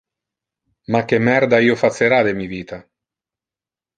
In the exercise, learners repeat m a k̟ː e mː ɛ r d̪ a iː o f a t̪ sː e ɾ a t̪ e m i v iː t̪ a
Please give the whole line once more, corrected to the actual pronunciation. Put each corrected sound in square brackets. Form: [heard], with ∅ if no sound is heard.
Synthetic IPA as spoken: m a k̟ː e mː ɛ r d̪ a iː o f a t̪ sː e ɾ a [d̪] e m i v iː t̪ a